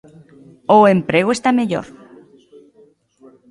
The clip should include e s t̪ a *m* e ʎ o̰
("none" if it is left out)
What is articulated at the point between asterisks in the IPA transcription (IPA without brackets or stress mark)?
m